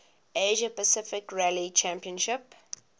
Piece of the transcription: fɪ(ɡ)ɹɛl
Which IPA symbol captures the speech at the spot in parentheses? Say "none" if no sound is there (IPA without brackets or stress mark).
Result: k